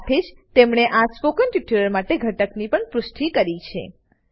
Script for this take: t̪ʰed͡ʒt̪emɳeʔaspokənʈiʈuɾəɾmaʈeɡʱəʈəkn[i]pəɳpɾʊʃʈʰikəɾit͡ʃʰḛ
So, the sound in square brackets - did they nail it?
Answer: yes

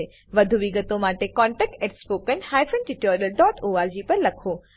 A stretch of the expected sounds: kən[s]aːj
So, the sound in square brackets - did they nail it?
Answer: no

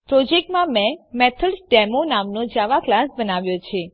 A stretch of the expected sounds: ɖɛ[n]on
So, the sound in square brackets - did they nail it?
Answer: no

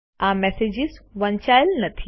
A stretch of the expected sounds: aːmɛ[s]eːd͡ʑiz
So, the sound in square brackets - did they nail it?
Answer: yes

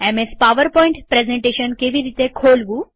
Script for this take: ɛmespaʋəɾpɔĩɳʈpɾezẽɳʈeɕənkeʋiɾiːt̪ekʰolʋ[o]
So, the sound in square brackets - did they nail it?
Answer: no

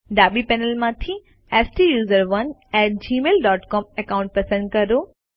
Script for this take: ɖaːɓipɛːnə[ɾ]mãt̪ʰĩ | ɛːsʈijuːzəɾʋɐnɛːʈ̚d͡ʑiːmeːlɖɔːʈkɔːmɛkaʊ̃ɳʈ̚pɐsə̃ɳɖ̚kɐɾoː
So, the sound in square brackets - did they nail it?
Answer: no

